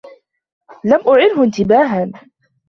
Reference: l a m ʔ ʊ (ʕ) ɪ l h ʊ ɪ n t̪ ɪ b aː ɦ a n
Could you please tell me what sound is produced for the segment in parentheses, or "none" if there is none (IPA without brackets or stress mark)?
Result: ʕ